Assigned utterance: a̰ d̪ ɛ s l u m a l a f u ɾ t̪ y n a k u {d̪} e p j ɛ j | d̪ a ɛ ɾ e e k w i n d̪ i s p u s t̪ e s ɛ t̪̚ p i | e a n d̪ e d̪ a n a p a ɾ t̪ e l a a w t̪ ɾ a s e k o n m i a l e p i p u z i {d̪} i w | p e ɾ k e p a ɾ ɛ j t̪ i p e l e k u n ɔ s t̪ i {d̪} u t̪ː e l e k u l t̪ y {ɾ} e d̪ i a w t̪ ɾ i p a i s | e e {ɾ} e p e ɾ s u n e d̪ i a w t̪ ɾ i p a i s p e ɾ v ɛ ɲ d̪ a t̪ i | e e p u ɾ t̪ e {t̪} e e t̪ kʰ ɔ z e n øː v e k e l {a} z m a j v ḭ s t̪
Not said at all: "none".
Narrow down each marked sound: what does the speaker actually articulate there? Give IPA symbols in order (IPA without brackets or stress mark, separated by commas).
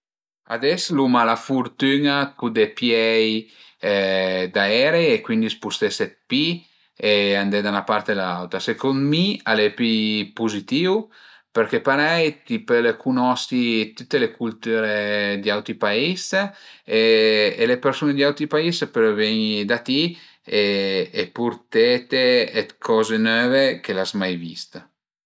d̪, t̪, t̪, ɾ, l, t̪, a